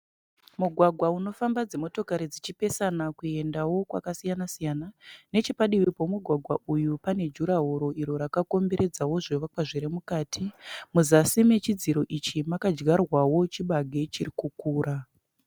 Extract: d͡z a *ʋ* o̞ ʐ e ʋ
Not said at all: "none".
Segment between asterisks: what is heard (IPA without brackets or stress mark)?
w